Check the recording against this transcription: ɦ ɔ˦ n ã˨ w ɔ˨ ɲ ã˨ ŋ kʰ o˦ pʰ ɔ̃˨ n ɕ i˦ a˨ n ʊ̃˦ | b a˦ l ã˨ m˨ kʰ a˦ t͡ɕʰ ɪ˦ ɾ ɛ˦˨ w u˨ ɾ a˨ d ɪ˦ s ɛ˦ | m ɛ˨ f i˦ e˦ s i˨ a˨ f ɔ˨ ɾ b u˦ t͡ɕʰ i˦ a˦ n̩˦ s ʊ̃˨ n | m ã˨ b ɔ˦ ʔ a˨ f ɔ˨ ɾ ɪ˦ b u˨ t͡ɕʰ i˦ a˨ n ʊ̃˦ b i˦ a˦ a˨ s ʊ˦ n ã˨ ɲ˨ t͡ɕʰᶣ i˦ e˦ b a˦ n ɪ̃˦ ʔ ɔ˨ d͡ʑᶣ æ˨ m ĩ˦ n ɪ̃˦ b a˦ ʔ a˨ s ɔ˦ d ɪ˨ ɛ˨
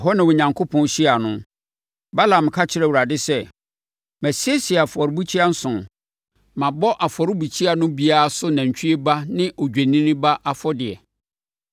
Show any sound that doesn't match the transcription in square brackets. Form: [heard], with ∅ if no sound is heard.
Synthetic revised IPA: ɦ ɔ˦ n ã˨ w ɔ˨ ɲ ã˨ ŋ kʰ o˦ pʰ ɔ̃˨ n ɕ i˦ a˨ n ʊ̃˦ | b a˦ l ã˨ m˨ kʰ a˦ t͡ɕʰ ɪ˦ ɾ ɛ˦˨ w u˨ ɾ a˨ d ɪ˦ s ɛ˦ | m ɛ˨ [s] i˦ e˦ s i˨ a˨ f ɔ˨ ɾ b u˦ t͡ɕʰ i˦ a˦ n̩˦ s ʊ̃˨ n | m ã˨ b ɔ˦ ʔ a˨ f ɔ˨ ɾ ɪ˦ b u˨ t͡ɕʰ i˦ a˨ n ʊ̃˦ b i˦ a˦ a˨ s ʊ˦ n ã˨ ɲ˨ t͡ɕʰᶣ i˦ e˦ b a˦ n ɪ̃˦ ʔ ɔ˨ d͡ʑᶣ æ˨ [n] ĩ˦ n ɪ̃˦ b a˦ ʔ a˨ [f] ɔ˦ d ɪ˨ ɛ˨